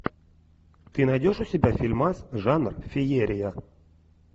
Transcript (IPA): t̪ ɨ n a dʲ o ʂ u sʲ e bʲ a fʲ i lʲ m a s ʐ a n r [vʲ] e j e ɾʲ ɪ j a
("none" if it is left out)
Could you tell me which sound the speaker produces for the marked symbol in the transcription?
fʲ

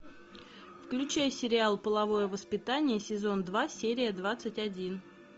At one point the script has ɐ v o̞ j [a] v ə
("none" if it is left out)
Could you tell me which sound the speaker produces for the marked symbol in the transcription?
ə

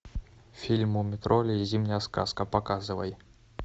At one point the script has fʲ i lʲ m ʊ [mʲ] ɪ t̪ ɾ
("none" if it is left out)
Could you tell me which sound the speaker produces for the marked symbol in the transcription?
mʲ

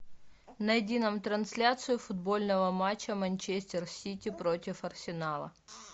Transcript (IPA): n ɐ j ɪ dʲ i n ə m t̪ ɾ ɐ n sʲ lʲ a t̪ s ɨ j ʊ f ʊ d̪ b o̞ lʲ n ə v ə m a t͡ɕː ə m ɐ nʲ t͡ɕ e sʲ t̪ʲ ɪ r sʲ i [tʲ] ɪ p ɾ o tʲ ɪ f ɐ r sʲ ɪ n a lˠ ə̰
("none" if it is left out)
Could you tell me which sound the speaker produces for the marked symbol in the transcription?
tʲ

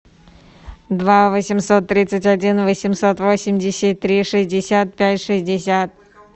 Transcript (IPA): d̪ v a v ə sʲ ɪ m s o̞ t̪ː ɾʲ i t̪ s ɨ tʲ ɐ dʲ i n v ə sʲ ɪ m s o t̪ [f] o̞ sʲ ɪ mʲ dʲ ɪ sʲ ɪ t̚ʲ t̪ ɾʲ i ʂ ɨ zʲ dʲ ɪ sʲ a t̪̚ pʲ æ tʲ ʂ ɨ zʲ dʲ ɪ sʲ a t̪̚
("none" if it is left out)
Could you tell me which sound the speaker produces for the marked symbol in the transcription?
v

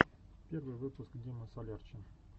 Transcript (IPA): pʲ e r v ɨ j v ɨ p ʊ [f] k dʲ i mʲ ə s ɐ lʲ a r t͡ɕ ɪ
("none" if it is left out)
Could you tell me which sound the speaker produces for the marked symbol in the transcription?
s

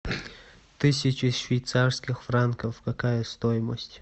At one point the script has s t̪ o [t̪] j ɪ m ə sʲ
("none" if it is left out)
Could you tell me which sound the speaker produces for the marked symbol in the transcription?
none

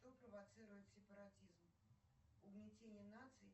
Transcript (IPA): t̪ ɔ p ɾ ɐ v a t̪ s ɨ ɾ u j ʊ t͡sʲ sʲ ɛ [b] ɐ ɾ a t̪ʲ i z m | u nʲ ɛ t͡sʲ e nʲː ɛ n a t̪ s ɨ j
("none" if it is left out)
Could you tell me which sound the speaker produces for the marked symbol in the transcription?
p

